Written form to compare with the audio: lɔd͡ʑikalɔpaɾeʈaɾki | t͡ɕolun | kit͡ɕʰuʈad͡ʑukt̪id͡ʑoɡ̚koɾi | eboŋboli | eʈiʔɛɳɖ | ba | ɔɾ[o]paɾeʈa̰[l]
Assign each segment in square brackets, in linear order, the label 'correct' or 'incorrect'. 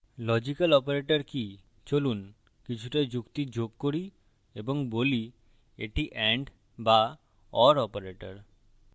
incorrect: ɔ, incorrect: ɾ

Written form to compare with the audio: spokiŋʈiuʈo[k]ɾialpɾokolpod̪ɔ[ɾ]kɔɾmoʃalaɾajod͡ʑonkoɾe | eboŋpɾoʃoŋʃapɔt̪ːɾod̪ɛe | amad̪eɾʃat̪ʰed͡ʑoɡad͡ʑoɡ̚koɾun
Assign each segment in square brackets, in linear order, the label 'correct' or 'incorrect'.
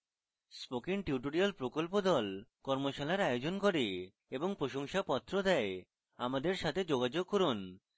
incorrect: none, incorrect: l

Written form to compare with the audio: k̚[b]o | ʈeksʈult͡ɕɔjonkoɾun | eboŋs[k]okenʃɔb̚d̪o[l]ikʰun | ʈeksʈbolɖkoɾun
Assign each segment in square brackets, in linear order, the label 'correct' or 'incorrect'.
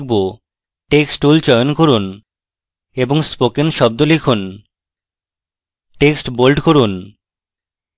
correct, incorrect: p, correct

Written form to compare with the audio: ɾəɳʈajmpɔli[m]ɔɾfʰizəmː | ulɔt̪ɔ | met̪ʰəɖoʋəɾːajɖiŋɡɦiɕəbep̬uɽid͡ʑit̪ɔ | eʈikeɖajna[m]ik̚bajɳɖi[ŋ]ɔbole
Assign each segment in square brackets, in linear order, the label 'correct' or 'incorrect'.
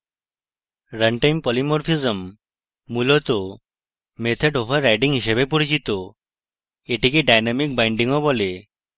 correct, correct, correct

